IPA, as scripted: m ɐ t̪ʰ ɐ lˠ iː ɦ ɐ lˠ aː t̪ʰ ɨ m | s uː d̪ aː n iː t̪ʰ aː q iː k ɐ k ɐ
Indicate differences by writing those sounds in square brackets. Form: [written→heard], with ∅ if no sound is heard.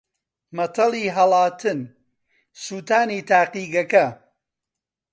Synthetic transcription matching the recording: m ɐ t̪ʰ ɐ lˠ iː ɦ ɐ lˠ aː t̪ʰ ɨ [m→n] | s uː [d̪→t̪] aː n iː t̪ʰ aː q iː [k→ɡ] ɐ k ɐ